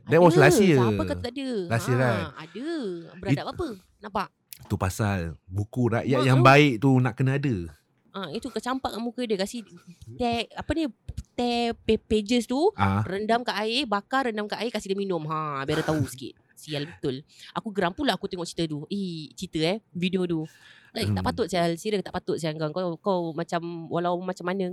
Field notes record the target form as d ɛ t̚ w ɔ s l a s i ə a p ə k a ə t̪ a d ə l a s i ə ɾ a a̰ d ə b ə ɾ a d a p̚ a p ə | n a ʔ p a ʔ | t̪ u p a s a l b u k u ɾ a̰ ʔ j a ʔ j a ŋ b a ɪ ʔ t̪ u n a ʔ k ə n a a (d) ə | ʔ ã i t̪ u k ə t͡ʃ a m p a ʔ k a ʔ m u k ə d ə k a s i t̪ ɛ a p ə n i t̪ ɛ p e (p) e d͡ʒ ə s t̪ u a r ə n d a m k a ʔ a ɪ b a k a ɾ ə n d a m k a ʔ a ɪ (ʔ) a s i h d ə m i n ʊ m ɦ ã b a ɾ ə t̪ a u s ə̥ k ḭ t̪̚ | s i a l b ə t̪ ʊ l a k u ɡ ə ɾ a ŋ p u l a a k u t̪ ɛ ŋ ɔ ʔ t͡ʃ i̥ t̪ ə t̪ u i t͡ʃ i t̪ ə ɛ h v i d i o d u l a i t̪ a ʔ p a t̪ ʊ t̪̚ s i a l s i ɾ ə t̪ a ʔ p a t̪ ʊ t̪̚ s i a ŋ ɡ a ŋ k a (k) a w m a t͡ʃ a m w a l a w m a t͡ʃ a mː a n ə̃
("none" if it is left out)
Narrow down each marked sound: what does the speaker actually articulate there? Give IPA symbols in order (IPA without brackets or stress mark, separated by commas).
d, p, k, k